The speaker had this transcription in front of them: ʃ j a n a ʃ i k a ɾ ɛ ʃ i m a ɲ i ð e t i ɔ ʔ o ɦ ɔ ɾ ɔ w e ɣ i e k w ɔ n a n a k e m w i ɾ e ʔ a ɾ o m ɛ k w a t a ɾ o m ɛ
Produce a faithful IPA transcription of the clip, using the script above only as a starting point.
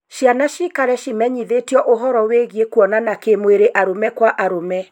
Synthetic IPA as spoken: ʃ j a n a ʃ i k a ɾ ɛ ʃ i m ɛ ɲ i ð e t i ɔ ʔ o ɦ ɔ ɾ ɔ w e ɣ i e k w ɔ n a n a k e m w e ɾ e ʔ a ɾ o m ɛ k w a ʔ a ɾ o m ɛ